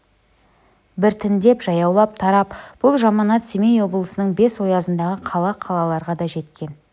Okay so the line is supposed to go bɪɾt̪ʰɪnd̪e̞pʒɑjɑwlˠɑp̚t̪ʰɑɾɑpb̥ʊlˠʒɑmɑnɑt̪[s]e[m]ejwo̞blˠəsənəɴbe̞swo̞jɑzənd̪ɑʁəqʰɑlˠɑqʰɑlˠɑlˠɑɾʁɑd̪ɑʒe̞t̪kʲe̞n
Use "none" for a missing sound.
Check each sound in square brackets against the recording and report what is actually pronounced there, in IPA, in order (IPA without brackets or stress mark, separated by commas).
s, m